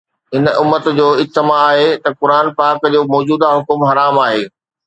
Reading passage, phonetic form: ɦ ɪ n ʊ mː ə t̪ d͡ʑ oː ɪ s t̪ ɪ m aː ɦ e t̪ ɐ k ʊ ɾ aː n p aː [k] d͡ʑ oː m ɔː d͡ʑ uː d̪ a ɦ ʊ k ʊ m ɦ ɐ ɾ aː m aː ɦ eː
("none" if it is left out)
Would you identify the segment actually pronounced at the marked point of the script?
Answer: k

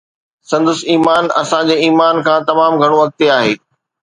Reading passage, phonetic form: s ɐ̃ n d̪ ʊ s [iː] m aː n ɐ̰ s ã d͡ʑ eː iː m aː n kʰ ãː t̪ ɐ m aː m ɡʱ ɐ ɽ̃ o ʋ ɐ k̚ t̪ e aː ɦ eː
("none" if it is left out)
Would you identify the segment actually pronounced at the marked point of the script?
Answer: iː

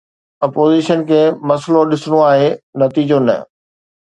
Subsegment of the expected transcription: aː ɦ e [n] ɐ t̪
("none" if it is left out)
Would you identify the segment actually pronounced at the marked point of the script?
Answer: n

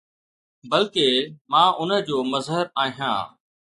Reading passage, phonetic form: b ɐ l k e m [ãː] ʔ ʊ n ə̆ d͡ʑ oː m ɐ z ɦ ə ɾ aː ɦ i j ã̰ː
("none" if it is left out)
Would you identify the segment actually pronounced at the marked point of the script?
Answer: ãː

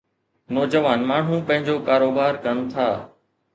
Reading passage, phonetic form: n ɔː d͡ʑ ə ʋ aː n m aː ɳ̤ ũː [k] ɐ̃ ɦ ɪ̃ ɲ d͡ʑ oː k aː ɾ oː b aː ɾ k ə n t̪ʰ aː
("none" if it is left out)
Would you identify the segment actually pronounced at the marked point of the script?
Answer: p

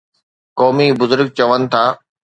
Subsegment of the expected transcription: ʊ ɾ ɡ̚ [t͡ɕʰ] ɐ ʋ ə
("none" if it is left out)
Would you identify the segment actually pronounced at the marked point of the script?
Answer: t͡ɕ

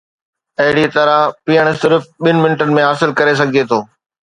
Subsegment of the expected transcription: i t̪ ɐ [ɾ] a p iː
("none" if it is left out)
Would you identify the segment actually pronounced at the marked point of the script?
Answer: ɾ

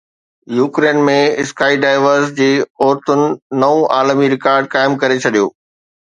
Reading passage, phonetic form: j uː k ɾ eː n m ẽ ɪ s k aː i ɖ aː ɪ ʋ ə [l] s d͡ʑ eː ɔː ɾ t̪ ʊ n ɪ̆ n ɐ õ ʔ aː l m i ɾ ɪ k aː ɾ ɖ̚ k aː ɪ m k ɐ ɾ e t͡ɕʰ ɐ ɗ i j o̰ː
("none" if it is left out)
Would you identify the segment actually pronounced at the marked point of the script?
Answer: ɾ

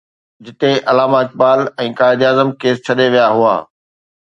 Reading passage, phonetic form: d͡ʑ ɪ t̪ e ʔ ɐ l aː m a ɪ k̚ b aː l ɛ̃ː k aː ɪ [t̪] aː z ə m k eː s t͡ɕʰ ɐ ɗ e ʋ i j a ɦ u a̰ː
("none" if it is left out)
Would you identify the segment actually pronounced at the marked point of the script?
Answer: d̪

